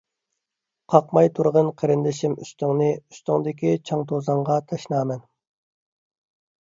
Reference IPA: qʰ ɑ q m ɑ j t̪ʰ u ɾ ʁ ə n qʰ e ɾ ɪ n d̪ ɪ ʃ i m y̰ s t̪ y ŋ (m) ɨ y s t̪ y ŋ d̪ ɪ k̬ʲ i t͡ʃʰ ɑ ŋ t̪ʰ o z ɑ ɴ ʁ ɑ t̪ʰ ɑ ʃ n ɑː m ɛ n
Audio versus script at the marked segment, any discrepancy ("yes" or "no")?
yes